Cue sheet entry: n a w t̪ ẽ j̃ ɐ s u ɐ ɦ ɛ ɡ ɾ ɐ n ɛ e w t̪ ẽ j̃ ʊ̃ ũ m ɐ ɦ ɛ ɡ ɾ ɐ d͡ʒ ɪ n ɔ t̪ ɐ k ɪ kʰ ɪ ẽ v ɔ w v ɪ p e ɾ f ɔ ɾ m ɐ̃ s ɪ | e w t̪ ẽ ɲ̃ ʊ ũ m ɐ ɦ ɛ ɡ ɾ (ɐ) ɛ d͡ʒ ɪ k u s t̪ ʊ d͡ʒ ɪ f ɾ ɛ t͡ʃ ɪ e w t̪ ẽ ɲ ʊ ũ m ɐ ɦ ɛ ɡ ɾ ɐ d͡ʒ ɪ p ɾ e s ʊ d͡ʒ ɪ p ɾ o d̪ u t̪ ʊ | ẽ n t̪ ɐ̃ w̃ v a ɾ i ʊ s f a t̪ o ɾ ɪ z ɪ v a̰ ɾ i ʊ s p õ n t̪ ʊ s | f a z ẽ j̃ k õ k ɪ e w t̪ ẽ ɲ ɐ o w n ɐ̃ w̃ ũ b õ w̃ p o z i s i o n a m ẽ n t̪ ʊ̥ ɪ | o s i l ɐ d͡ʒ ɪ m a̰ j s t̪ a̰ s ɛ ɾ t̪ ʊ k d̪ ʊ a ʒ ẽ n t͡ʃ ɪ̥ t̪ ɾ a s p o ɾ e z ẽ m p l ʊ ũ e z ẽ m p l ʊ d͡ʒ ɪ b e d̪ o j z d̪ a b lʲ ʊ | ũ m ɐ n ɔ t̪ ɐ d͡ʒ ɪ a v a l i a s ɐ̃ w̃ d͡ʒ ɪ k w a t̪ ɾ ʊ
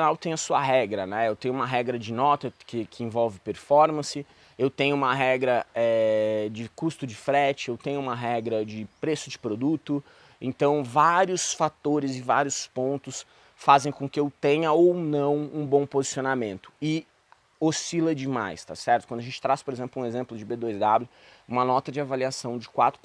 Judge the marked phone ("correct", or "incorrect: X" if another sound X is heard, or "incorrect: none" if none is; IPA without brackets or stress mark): correct